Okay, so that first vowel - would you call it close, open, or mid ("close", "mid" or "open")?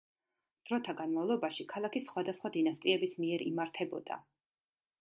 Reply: mid